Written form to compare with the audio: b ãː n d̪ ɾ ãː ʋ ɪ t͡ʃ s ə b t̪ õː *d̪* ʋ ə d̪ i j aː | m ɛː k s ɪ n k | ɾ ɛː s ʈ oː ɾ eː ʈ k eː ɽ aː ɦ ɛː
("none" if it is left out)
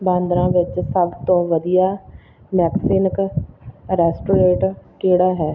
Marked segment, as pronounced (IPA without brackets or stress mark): none